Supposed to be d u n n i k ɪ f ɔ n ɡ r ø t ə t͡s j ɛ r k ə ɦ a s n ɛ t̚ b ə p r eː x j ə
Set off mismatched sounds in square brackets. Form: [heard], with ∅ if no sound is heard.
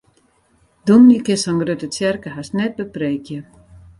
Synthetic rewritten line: d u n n i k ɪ [s] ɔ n ɡ r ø t ə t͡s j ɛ r k ə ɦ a s n ɛ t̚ b ə p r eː [k] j ə